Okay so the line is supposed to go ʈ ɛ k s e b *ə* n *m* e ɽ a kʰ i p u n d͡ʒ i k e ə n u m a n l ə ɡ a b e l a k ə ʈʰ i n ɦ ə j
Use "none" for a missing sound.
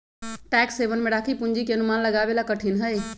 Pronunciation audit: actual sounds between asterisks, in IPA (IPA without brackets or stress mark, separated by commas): ə, m